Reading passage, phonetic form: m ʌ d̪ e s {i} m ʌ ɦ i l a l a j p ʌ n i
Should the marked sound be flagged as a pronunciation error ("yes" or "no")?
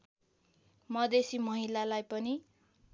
no